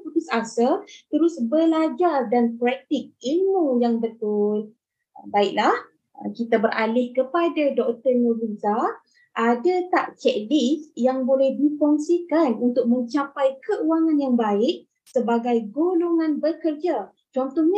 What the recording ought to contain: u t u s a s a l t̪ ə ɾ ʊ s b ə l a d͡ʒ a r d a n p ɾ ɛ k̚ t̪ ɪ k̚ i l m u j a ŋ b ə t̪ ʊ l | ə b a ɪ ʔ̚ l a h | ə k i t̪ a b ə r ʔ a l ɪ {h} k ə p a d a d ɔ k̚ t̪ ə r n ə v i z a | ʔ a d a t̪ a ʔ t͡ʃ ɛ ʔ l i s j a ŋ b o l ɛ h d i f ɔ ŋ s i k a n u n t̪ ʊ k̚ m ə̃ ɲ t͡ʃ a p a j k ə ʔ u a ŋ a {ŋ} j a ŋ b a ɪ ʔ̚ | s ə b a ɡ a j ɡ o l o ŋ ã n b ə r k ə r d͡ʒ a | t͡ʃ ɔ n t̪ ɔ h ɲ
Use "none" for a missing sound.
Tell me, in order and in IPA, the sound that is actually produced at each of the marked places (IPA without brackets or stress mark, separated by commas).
h, n